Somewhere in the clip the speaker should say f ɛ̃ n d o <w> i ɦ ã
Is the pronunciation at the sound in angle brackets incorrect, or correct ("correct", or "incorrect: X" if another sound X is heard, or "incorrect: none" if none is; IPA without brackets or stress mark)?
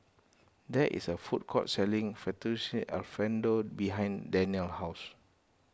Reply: incorrect: b